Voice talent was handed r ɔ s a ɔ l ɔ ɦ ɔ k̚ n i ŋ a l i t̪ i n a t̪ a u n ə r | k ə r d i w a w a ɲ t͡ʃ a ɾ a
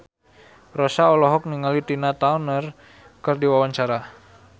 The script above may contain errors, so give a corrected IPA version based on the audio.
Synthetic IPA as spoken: r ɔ s a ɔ l ɔ ɦ ɔ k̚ n i ŋ a l i t̪ i n a t̪ a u n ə r | k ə r d i w a w a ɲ t͡ʃ a ɾ a